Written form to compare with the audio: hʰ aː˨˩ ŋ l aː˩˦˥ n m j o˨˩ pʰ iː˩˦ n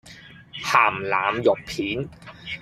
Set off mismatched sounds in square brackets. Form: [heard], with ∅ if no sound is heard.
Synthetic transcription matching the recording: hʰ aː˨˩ [m] l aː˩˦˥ [∅] m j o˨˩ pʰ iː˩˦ n